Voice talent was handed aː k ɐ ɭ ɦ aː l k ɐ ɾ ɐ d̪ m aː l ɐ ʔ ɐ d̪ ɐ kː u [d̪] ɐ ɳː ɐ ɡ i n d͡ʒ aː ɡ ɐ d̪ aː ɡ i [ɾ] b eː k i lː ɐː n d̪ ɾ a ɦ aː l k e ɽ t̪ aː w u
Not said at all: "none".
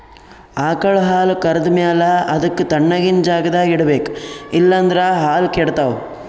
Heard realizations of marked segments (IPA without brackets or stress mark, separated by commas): t̪, ɽ